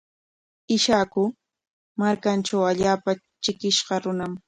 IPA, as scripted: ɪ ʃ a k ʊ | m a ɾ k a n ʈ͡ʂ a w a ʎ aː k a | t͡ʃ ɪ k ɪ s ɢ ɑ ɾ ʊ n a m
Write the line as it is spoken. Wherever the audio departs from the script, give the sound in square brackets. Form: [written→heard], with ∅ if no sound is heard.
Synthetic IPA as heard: ɪ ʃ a k ʊ | m a ɾ k a n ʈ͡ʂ a w a ʎ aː [k→p] a | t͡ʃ ɪ k ɪ [s→ʃ] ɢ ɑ ɾ ʊ n a m